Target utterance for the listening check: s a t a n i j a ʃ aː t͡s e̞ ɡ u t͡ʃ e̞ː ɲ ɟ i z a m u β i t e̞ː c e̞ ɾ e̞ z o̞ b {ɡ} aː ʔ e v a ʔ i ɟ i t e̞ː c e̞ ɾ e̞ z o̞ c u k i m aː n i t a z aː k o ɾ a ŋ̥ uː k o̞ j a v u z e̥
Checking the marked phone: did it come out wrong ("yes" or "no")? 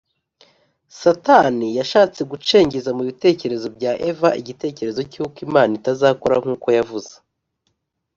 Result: yes